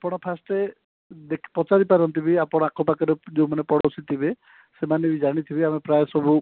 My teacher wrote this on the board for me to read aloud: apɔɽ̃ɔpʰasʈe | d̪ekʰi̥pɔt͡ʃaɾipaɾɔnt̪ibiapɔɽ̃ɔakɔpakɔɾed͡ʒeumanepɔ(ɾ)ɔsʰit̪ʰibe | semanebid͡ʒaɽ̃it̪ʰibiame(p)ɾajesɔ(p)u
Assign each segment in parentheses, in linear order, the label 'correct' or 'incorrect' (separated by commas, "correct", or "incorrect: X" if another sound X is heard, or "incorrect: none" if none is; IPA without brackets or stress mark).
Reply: incorrect: ɽ, correct, incorrect: b